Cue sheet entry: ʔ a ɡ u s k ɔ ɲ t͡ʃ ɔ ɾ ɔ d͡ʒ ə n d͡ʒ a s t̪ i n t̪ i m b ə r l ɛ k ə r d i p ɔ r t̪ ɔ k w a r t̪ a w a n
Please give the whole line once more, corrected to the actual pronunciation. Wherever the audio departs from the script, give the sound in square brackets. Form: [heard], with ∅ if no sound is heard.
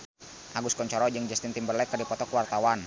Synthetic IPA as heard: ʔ a ɡ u s k ɔ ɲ t͡ʃ ɔ ɾ ɔ d͡ʒ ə [ŋ] d͡ʒ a s t̪ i n t̪ i m b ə r l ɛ k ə r d i p ɔ [∅] t̪ ɔ k w a r t̪ a w a n